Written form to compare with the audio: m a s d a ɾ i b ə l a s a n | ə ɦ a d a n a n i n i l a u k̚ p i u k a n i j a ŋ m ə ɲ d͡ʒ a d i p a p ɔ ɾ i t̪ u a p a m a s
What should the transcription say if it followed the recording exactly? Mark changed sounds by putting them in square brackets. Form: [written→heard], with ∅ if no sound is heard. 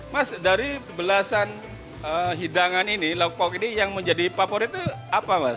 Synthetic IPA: m a s d a ɾ i b ə l a s a n | ə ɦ [a→i] d a [n→ŋ] a n i n i l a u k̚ p [i→a] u k [a→i] n i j a ŋ m ə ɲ d͡ʒ a d i p a p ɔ ɾ i t̪ u a p a m a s